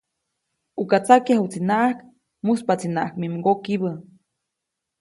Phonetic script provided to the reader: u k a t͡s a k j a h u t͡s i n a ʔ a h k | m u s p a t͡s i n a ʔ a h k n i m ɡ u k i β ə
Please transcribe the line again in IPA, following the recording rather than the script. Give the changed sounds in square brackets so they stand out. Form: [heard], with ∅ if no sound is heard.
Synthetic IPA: u k a t͡s a k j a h u t͡s i n a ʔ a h k | m u s p a t͡s i n a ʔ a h k [m] i m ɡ [o] k i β ə